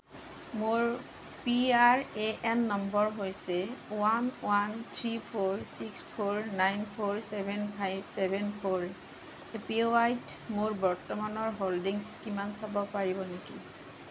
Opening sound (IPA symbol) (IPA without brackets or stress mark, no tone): m